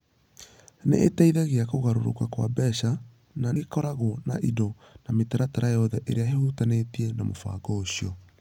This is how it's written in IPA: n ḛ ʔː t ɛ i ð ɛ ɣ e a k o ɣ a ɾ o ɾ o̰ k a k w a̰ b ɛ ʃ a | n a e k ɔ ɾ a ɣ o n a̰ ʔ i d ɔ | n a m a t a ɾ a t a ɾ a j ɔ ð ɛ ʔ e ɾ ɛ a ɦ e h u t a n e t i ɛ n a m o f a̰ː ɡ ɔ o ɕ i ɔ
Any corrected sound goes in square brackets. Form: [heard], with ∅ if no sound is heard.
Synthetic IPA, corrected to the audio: n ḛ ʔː t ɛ i ð ɛ ɣ e a k o ɣ a ɾ o ɾ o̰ k a k w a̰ b ɛ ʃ a | n a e k ɔ ɾ a ɣ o n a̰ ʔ i d ɔ | n a m [e] t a ɾ a t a ɾ a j ɔ ð ɛ ʔ e ɾ [e] a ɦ e h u t a n e t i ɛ n a m o f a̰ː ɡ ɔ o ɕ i ɔ